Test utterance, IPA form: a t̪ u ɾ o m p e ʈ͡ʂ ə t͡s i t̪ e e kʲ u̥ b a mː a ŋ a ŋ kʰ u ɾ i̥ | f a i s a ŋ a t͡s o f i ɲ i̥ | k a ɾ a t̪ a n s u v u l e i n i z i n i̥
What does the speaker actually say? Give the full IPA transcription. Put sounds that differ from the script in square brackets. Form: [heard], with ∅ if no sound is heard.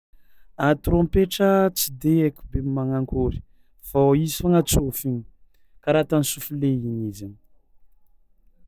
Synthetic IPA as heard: a t̪ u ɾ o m p e ʈ͡ʂ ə t͡s i [d̪] e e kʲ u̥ b [e] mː a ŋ a ŋ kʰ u ɾ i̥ | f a i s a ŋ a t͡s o f i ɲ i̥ | k a ɾ a t̪ a n s u [f] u l e i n i z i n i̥